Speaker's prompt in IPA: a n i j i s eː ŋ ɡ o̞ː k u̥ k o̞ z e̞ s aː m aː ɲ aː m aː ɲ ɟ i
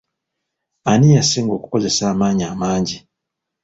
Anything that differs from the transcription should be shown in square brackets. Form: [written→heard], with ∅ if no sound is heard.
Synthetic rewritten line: a n i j [i→a] s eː ŋ ɡ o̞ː k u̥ k o̞ z e̞ s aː m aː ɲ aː m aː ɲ ɟ i